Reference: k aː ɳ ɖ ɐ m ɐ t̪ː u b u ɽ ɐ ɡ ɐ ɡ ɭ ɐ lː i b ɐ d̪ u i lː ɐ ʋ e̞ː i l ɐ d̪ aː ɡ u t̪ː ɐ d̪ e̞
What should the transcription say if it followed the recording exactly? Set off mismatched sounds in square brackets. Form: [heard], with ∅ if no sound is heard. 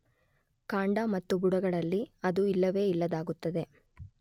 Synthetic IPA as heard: k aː ɳ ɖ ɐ m ɐ t̪ː u b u ɽ ɐ ɡ ɐ [∅] ɭ ɐ lː i [∅] ɐ d̪ u i lː ɐ ʋ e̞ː i [lː] ɐ d̪ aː ɡ u t̪ː ɐ d̪ e̞